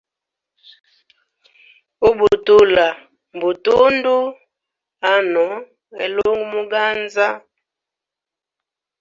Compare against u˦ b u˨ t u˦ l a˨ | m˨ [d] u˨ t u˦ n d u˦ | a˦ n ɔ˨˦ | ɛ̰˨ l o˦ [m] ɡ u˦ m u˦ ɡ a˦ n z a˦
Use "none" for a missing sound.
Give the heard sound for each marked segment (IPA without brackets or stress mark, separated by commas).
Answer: b, ŋ